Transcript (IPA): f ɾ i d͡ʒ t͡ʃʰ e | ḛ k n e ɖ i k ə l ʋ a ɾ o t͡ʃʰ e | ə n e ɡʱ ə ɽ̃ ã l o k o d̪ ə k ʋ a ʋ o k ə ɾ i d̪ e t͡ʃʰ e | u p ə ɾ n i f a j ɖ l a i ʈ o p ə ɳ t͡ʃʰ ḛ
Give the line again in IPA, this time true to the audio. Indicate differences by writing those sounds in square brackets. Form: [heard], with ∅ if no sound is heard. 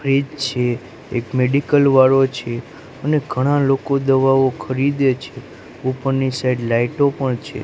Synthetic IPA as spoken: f ɾ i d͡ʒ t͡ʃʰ e | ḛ k [m] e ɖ i k ə l ʋ a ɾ o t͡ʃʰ e | ə n e ɡʱ ə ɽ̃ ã l o k o d̪ ə [∅] ʋ a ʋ o [kʰ] ə ɾ i d̪ e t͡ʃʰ e | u p ə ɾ n i [s] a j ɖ l a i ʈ o p ə ɳ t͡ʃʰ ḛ